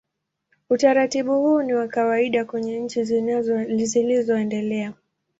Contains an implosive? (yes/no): yes